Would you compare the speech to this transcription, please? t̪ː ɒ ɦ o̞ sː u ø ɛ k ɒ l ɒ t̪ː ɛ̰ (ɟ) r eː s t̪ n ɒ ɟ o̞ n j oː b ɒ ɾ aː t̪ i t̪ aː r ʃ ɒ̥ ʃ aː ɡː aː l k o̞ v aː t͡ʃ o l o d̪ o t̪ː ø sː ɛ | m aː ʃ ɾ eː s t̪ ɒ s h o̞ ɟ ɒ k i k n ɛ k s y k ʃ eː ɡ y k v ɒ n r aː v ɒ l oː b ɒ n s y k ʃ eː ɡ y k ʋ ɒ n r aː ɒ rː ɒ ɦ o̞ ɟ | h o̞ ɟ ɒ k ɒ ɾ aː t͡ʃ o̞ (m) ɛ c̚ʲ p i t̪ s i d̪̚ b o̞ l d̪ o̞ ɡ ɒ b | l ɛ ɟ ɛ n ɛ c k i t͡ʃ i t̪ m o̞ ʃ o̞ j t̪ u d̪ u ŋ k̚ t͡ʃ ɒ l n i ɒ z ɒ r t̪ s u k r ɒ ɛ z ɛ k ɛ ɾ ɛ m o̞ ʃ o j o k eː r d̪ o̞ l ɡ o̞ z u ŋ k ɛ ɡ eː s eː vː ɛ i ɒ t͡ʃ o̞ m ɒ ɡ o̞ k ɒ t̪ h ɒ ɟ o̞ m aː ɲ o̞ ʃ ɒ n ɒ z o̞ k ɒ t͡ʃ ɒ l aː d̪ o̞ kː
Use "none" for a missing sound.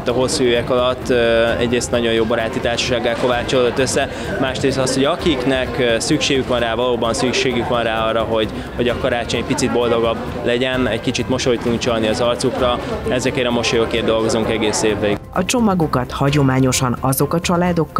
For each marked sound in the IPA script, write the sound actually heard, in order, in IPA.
ɟ, ɲ

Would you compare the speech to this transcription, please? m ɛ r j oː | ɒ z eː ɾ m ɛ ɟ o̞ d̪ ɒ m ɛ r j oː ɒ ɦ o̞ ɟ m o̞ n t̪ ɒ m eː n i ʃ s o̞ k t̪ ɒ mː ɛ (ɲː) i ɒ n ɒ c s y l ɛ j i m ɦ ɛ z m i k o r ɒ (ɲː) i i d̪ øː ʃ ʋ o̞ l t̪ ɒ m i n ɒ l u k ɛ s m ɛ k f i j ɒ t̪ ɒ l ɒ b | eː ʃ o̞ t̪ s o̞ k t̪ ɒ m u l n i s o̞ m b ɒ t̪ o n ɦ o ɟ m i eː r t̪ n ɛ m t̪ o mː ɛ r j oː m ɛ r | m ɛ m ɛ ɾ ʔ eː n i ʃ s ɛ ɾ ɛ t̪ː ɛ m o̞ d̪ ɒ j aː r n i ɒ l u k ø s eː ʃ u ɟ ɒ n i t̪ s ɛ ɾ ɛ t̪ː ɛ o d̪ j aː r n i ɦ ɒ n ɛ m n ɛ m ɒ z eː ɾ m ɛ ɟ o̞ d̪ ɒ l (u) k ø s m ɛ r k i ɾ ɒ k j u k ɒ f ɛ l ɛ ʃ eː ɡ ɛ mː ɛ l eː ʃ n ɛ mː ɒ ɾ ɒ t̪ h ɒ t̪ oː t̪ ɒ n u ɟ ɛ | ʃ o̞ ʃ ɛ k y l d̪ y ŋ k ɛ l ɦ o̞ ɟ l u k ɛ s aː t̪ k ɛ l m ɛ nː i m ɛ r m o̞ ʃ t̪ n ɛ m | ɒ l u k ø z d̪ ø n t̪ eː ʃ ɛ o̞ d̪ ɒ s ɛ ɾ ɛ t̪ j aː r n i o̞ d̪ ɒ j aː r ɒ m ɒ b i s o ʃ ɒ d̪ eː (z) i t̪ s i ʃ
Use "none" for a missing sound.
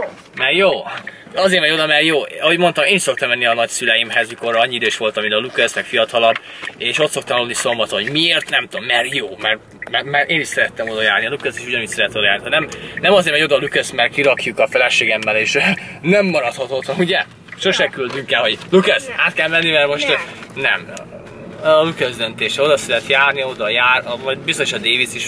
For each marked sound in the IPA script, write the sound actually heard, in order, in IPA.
nː, ɲː, u, v

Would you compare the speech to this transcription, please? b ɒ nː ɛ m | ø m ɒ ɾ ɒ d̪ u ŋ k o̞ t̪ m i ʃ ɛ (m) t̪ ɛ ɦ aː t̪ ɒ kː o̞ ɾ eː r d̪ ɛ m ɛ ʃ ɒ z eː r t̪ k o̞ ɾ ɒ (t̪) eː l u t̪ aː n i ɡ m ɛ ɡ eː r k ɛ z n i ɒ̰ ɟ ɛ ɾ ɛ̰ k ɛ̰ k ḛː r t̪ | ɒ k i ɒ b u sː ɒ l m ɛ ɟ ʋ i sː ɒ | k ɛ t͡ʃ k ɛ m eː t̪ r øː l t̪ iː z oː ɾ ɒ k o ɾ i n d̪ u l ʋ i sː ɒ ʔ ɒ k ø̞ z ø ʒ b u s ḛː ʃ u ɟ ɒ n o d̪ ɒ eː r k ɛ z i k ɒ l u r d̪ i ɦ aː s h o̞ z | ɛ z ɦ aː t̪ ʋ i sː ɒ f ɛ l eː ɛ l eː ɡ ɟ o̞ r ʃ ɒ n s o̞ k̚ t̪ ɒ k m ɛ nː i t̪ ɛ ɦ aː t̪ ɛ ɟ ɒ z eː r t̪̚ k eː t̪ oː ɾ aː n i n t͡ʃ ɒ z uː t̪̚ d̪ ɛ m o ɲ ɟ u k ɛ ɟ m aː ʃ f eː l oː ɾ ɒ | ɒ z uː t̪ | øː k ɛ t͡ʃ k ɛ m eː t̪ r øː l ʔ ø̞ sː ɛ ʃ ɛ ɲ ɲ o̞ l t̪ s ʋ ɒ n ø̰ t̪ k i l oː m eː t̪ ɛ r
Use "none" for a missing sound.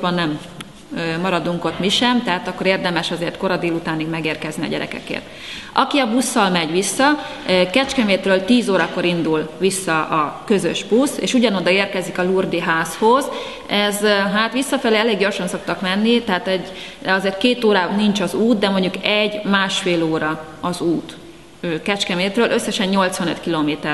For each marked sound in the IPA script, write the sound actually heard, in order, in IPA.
m, d̪

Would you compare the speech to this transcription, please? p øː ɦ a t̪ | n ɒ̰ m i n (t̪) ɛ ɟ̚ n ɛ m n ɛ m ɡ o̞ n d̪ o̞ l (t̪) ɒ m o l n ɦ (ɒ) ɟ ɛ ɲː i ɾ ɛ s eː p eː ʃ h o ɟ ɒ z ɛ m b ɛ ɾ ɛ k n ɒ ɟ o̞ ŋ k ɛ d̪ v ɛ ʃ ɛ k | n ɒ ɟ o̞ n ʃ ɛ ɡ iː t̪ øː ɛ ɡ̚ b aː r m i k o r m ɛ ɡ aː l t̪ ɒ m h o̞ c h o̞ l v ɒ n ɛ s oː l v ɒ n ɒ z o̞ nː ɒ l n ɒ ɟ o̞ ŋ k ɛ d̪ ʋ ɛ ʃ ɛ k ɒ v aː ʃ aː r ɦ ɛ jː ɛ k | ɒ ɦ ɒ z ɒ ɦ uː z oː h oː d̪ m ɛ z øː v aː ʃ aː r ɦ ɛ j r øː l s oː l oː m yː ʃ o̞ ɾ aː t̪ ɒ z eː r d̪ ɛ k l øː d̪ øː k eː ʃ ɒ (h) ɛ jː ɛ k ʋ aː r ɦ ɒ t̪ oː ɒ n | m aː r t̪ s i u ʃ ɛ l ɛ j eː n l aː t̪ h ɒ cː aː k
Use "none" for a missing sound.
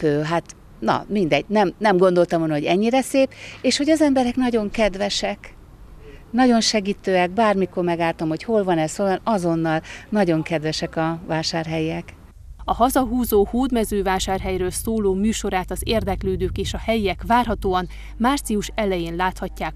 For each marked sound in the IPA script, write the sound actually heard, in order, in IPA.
d̪, t̪, o, h

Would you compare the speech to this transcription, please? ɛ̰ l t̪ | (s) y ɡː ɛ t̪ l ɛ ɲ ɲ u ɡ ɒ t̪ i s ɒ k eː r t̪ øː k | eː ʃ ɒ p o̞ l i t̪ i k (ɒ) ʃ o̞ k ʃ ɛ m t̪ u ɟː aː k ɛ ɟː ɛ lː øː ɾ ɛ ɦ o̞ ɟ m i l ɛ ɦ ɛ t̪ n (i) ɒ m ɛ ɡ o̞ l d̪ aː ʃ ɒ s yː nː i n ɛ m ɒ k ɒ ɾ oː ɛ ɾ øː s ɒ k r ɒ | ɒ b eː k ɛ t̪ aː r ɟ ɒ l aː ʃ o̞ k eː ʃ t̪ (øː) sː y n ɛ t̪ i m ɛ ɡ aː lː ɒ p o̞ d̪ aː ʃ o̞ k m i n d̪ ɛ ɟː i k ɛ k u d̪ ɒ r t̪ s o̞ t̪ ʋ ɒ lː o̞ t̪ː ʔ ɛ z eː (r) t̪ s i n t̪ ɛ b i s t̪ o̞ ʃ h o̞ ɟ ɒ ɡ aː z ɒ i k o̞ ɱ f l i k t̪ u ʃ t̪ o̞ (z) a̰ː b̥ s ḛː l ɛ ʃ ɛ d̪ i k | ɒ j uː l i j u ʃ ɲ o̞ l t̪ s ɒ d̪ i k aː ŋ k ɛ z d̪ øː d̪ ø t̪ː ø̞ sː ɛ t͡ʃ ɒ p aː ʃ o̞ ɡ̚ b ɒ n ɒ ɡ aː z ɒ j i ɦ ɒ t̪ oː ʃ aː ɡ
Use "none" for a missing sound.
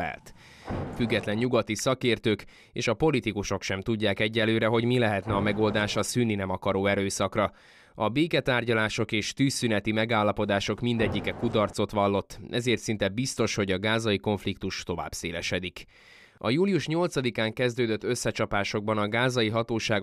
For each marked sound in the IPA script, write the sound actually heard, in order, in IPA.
f, u, ɛ, yː, r, v

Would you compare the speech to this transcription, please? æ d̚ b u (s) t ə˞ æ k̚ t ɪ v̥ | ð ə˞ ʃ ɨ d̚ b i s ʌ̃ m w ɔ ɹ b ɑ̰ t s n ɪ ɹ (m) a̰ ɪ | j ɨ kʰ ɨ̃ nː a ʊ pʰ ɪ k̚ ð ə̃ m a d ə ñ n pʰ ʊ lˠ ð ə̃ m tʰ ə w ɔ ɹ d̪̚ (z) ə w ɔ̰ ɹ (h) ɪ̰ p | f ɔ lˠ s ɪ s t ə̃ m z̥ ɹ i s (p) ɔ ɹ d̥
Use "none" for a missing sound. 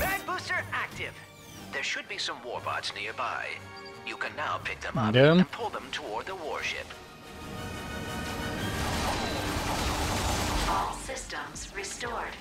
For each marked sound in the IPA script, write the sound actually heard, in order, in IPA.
s, b, ð, ʃ, t

